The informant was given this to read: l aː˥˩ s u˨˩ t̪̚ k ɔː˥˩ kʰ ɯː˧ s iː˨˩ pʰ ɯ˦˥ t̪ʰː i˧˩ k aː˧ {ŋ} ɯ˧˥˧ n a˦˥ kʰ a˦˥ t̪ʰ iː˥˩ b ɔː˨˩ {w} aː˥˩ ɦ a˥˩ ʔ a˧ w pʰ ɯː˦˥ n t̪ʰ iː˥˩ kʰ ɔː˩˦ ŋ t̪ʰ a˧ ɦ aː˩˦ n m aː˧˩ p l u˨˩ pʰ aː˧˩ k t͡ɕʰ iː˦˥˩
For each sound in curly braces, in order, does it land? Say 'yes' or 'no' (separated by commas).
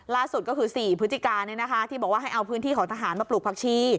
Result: no, yes